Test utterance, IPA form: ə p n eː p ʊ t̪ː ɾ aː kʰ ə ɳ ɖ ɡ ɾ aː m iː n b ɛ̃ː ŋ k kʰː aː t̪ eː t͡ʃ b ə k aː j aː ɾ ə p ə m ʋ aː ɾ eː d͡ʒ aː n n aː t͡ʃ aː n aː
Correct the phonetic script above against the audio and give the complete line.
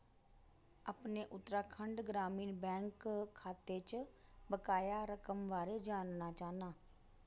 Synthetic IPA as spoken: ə p n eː ʔ ʊ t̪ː ɾ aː kʰ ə ɳ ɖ ɡ ɾ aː m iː n b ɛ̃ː ŋ k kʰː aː t̪ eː t͡ʃ b ə k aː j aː ɾ ə k ə m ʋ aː ɾ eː d͡ʒ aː n n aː t͡ʃ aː n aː